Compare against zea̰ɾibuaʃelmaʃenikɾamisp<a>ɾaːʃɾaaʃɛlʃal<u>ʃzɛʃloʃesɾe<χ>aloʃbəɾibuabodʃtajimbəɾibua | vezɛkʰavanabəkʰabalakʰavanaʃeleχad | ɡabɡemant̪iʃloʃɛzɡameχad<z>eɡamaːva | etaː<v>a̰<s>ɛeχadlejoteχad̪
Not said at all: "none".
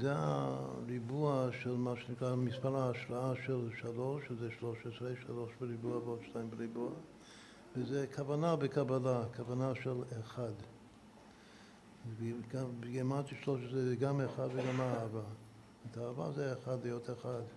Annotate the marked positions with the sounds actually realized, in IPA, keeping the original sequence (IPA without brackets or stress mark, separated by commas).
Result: a, o, ʃ, v, v, z